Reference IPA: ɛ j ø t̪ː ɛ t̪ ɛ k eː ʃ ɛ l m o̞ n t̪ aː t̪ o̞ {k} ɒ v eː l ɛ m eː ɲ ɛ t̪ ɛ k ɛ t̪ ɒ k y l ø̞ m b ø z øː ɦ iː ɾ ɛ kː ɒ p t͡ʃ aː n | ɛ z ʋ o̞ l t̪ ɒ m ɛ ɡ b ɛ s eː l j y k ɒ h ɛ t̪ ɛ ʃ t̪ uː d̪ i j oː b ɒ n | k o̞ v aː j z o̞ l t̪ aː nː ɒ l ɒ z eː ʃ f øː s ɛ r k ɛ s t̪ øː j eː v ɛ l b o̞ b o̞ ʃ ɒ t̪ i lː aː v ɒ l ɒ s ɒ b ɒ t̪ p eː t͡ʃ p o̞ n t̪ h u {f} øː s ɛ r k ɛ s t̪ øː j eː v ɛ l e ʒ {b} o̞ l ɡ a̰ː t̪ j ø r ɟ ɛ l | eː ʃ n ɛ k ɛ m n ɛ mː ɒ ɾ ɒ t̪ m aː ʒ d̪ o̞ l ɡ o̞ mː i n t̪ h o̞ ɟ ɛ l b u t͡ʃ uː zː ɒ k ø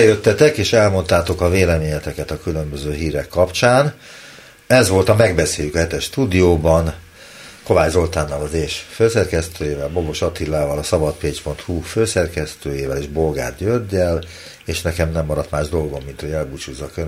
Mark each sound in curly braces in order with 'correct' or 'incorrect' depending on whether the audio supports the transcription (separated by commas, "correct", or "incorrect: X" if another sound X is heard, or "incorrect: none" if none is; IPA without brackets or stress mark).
correct, correct, correct